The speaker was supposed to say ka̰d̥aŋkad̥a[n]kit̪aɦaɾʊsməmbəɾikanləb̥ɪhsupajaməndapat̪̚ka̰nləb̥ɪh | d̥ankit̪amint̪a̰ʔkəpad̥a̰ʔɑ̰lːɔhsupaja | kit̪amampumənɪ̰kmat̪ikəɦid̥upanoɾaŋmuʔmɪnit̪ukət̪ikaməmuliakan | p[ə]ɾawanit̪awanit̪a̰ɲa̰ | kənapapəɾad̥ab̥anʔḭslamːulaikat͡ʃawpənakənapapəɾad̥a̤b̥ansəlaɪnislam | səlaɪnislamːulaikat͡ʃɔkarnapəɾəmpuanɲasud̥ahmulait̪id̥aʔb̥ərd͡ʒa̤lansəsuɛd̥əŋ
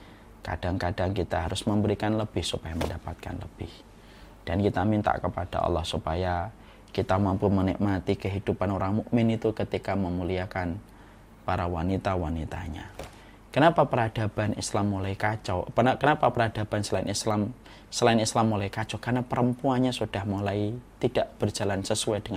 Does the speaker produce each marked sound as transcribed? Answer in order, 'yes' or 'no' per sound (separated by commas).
no, no